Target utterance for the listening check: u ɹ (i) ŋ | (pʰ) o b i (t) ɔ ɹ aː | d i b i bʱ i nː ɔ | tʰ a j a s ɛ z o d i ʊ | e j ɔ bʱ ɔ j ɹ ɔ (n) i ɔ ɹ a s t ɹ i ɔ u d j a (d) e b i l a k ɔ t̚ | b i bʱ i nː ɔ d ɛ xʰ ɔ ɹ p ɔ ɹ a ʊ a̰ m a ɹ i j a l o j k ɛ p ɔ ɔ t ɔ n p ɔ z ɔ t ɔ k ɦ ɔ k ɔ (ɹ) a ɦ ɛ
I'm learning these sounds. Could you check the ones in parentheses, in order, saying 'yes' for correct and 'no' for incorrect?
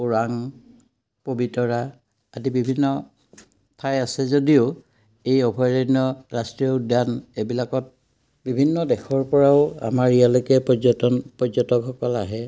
no, no, yes, yes, no, no

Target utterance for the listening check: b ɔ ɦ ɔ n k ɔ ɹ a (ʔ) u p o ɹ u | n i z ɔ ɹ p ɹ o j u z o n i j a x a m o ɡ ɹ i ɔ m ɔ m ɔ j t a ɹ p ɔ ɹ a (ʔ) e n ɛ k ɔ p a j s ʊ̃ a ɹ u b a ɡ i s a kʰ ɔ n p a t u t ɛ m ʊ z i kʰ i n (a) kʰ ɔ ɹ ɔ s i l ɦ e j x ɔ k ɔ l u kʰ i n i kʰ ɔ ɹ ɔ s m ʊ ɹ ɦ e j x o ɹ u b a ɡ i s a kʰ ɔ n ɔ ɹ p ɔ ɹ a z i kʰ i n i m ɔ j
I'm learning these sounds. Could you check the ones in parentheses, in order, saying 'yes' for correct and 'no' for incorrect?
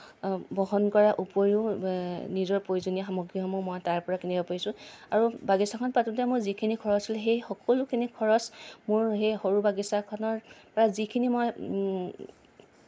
yes, no, no

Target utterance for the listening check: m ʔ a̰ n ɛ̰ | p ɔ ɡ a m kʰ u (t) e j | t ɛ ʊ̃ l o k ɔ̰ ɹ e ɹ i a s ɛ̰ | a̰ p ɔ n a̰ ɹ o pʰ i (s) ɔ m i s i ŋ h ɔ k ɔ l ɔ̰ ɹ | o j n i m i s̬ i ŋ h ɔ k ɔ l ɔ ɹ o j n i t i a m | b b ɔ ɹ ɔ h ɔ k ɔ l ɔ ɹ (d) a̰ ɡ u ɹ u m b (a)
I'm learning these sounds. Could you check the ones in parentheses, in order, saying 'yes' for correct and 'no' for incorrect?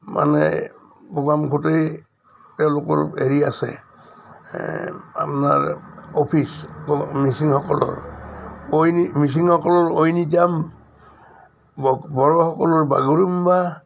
yes, yes, no, yes

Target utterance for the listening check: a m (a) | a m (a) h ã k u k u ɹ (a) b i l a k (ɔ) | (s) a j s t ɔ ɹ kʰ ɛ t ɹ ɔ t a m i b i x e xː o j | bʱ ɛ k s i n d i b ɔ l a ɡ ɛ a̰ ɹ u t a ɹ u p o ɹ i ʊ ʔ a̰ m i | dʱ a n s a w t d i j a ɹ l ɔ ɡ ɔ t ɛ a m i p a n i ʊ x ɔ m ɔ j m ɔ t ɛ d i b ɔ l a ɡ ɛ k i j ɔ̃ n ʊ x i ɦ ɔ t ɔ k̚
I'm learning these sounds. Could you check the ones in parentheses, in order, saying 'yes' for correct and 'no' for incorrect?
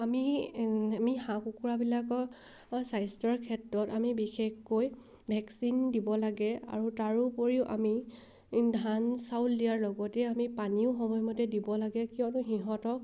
no, no, yes, yes, yes

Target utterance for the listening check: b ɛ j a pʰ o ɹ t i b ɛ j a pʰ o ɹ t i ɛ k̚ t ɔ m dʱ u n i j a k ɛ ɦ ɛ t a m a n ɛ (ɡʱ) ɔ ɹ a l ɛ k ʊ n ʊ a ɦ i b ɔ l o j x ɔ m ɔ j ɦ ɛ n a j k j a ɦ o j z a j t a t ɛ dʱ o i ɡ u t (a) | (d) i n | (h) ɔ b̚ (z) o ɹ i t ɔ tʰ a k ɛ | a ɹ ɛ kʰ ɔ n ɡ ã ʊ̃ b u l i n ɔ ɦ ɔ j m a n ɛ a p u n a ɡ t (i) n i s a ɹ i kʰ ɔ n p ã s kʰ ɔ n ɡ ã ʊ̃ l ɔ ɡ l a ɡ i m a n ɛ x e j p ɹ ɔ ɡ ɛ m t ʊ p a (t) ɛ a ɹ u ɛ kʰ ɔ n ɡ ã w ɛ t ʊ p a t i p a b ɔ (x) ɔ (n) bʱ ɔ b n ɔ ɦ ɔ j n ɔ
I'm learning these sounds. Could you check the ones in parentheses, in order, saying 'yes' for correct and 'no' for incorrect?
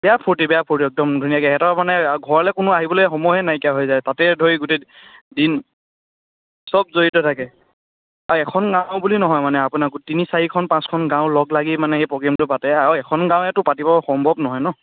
yes, no, yes, no, yes, yes, yes, yes, no

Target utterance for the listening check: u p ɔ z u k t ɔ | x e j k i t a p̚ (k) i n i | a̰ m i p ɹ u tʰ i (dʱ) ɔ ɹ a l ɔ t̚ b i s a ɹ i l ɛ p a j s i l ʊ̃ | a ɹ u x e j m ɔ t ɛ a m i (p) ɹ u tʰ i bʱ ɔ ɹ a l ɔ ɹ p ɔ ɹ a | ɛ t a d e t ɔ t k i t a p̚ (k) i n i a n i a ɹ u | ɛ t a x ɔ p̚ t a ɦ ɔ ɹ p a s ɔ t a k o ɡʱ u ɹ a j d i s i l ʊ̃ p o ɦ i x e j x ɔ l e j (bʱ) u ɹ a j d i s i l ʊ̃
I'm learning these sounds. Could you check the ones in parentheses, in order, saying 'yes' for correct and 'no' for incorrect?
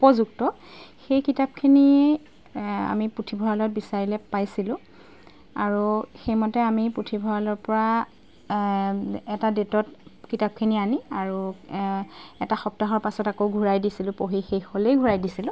no, no, yes, no, no

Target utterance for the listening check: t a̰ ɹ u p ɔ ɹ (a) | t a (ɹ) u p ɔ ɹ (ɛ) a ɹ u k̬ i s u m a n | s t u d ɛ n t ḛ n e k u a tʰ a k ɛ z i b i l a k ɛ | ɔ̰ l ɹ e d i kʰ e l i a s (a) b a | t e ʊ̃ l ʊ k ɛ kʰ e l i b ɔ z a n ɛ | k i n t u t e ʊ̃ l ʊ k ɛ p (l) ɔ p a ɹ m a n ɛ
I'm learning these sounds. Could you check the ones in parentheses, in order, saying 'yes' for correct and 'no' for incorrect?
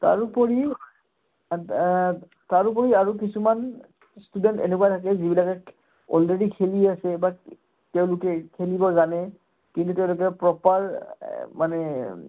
no, yes, no, no, no

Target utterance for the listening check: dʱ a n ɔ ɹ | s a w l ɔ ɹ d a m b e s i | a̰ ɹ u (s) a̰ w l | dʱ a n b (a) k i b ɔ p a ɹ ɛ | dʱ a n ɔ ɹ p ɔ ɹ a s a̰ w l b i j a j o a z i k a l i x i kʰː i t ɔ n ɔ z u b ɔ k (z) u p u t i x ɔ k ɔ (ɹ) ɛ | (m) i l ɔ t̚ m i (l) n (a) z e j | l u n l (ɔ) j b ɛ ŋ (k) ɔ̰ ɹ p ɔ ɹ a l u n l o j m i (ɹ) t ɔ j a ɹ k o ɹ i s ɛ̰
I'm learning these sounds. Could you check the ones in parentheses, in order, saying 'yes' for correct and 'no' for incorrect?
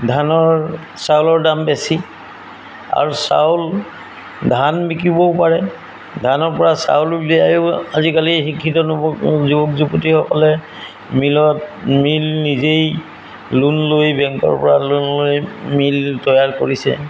yes, no, yes, no, yes, yes, no, no, yes, no

